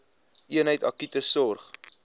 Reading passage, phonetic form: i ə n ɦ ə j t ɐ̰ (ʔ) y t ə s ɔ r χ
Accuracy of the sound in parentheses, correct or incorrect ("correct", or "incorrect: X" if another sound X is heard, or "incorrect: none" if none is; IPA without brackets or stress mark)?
incorrect: k